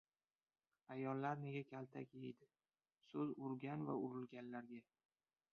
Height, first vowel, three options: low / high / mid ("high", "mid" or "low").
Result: low